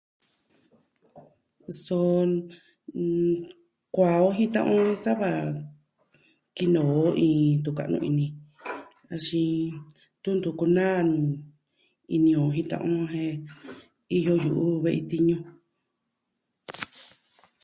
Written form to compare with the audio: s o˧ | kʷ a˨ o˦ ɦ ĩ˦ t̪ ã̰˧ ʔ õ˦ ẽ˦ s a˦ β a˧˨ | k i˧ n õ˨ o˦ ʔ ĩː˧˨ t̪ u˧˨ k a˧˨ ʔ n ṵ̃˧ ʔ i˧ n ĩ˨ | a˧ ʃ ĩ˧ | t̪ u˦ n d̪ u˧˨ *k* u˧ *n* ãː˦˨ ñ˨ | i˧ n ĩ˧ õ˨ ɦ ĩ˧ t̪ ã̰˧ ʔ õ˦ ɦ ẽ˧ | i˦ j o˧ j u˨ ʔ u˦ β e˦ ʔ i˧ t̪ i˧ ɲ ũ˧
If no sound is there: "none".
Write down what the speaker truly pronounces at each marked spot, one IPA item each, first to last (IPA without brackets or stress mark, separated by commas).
k, n